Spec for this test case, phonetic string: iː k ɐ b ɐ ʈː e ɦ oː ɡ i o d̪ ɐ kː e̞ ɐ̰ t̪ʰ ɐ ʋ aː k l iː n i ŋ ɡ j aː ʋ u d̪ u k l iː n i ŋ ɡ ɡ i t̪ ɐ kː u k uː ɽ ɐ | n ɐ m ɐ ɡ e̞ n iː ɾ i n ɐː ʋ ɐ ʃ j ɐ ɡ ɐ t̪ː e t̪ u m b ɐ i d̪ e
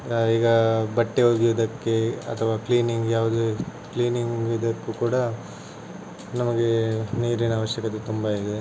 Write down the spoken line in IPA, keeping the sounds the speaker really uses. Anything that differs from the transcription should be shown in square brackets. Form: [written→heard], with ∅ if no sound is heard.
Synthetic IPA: iː [k→ɡ] ɐ b ɐ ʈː e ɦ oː ɡ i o d̪ ɐ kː e̞ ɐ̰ t̪ʰ ɐ ʋ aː k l iː n i ŋ ɡ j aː ʋ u d̪ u k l iː n i ŋ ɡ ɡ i [t̪→d̪] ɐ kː u k uː ɽ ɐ | n ɐ m ɐ ɡ e̞ n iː ɾ i n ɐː ʋ ɐ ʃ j ɐ [ɡ→k] ɐ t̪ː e t̪ u m b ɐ i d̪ e

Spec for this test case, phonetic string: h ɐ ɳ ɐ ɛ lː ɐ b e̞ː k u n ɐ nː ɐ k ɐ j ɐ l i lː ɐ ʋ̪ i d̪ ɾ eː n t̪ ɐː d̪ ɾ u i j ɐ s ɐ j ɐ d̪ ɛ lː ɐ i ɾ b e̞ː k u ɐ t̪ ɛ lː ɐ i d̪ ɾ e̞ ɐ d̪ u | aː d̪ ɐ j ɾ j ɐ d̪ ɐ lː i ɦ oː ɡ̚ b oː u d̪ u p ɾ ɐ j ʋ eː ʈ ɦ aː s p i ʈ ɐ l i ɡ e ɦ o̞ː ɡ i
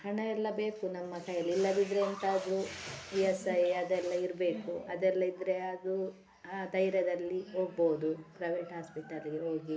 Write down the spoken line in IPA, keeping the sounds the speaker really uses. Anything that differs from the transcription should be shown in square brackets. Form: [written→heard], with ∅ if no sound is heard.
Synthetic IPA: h ɐ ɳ ɐ ɛ lː ɐ b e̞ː k u n ɐ [nː→mː] ɐ k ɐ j ɐ l i lː ɐ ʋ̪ i d̪ ɾ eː n t̪ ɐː d̪ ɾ u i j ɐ s ɐ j ɐ d̪ ɛ lː ɐ i ɾ b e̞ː k u ɐ [t̪→d̪] ɛ lː ɐ i d̪ ɾ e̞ ɐ d̪ u | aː d̪ ɐ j ɾ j ɐ d̪ ɐ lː i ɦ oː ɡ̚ b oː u d̪ u p ɾ ɐ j ʋ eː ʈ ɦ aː s p i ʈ ɐ l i ɡ e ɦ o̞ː ɡ i

